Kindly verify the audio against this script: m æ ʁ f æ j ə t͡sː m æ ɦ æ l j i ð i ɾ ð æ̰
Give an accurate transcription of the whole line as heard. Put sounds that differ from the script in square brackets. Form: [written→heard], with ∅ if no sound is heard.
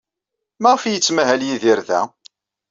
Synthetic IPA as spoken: m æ ʁ f [æ→i] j ə t͡sː m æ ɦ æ l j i ð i ɾ ð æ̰

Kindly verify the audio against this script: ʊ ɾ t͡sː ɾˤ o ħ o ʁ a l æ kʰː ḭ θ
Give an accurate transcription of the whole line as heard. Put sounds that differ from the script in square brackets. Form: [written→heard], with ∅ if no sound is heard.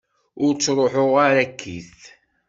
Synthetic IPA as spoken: ʊ ɾ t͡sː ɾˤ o ħ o ʁ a [l→ɾ] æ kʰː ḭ θ

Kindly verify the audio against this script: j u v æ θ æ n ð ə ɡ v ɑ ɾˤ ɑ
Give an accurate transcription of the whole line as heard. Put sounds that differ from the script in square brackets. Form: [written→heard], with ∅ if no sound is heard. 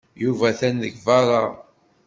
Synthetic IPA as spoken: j u v æ θ æ n ð ə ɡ v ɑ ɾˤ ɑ

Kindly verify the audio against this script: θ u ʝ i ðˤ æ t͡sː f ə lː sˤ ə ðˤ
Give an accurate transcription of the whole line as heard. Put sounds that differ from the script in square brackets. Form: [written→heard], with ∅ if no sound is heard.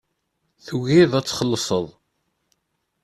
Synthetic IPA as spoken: θ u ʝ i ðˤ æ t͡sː [f→χ] ə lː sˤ ə ðˤ

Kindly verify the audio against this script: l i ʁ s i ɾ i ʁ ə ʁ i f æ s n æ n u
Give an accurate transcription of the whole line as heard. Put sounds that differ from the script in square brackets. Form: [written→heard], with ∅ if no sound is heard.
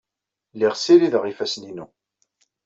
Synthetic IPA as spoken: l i ʁ s i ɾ i [ʁ→ð] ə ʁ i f æ s n [æ→i] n u

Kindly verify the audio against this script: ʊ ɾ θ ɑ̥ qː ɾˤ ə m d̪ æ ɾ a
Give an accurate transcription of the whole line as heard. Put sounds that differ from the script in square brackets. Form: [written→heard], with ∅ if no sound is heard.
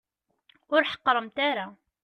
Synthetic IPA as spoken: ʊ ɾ [θ→ħ] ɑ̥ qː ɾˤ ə m [d̪→t̪] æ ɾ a

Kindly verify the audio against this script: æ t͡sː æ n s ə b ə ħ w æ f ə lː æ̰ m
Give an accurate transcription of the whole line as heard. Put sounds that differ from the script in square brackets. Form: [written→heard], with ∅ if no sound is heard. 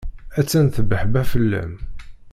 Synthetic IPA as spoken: æ t͡sː æ n [s→θ] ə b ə ħ [w→b] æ f ə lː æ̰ m

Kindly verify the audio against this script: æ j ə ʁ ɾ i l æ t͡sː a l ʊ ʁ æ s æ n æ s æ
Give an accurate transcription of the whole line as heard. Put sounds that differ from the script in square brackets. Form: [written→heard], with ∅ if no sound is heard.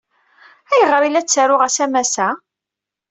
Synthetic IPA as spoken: æ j ə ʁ ɾ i l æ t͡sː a [l→ɾ] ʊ ʁ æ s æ [n→m] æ s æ

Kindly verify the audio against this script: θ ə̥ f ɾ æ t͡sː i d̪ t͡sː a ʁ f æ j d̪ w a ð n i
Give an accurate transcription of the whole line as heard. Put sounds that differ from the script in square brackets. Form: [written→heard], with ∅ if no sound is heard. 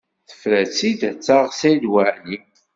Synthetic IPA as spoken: θ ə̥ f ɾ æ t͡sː i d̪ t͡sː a ʁ [f→s] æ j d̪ w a [ð→ʕ] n i

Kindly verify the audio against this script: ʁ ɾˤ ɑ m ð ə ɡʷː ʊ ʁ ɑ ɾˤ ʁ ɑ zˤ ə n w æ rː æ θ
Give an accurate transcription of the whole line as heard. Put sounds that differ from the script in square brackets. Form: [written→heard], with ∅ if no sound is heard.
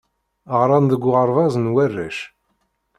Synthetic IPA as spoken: ʁ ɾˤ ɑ [m→n] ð ə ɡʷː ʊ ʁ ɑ ɾˤ [ʁ→v] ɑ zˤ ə n w æ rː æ [θ→ʃ]

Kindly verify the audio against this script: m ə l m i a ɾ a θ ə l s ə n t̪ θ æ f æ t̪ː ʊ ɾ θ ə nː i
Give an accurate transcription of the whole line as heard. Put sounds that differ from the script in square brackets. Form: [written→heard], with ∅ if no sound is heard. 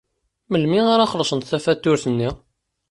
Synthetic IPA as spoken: m ə l m i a ɾ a [θ→χ] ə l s ə n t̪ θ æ f æ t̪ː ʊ ɾ θ ə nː i

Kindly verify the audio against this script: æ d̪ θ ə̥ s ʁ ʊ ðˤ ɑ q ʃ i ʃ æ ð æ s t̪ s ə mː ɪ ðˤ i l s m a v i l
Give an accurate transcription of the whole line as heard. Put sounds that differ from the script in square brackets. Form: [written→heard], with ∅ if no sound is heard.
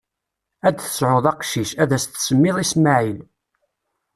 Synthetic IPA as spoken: æ d̪ θ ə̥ s [ʁ→ʕ] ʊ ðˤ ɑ q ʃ i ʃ æ ð æ s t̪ s ə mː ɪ ðˤ i [l→∅] s m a [v→ʕ] i l

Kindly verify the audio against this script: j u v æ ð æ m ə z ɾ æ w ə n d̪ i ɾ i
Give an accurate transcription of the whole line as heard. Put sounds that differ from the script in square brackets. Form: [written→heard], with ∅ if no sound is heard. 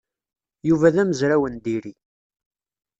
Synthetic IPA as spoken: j u v æ ð æ m ə z ɾ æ w ə n d̪ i ɾ i

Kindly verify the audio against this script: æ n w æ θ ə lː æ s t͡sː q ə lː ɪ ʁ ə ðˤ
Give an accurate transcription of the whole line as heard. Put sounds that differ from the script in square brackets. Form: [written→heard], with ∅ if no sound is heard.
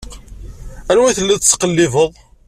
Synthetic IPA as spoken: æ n w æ θ ə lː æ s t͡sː q ə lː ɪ [ʁ→v] ə ðˤ

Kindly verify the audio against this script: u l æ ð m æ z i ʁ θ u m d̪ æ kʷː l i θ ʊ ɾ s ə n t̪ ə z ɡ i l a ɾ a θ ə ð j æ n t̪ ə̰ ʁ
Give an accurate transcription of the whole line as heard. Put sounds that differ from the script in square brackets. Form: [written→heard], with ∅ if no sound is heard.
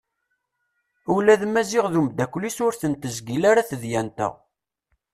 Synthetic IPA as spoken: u l æ ð m æ z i ʁ [θ→ð] u m d̪ æ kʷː l i [θ→s] ʊ ɾ [s→θ] ə n t̪ ə z ɡ i l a ɾ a θ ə ð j æ n t̪ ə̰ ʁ

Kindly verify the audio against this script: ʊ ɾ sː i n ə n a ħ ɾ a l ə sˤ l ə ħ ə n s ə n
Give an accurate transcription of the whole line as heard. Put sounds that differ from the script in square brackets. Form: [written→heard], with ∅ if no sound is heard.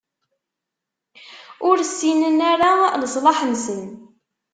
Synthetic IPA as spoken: ʊ ɾ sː i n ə n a [ħ→∅] ɾ a l ə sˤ l [ə→ɑ] ħ ə n s ə n

